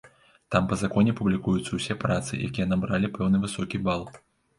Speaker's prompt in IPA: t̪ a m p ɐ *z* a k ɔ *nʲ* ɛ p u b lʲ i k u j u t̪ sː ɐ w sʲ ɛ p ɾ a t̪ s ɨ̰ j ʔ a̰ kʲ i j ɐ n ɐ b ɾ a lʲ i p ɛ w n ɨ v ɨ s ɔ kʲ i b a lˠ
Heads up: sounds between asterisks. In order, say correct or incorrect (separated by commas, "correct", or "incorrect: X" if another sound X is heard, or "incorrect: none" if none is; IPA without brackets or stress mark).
correct, correct